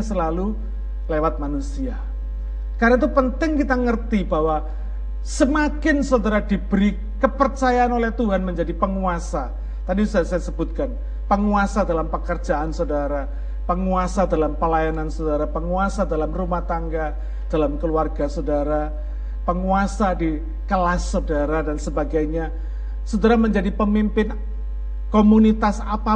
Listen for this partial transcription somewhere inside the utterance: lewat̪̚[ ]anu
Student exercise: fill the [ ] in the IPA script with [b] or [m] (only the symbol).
m